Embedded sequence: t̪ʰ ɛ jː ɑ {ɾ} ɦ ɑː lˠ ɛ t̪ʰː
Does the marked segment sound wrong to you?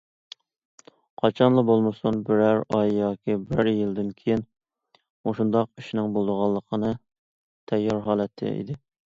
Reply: no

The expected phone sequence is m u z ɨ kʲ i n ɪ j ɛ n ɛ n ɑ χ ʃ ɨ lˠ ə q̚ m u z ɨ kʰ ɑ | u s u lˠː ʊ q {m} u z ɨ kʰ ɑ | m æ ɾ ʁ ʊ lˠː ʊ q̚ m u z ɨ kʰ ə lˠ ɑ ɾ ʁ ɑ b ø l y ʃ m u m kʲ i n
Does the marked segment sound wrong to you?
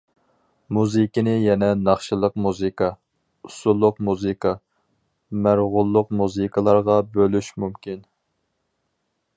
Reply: no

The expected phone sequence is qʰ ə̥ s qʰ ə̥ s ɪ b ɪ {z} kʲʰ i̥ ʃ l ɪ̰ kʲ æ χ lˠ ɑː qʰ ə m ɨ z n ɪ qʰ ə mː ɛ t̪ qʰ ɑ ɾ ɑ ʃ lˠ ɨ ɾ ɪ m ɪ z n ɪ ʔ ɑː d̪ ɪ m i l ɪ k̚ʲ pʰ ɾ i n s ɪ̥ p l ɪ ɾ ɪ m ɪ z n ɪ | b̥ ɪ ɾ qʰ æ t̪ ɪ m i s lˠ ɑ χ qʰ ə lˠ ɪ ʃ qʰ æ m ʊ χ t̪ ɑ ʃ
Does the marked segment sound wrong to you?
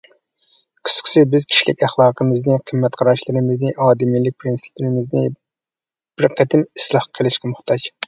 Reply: no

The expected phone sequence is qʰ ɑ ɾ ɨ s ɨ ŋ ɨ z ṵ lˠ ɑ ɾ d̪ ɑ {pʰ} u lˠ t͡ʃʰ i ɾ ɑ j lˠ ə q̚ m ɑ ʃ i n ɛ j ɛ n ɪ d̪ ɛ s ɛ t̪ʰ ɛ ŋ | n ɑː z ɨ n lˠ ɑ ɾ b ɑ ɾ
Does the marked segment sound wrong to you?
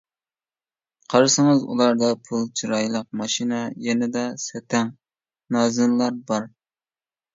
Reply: no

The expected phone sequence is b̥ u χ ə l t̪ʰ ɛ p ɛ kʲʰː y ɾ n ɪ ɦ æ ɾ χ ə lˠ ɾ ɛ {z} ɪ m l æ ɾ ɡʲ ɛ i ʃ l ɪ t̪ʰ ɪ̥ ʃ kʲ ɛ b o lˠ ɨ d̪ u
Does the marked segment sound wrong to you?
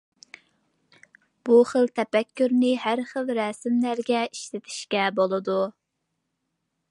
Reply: yes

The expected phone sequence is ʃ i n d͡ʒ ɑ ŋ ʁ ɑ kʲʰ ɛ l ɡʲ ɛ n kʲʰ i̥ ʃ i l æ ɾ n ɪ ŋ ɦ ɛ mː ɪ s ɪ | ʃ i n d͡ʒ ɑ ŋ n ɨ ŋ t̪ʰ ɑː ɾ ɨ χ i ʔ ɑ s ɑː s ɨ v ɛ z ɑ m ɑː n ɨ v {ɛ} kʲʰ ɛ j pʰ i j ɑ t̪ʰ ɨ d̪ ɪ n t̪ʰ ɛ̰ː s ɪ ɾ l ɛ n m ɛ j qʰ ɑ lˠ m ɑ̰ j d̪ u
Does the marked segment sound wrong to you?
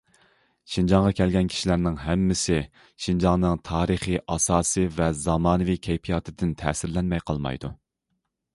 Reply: yes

